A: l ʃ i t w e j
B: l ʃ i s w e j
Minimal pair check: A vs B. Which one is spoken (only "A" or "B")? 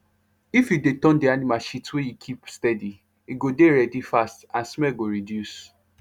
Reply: A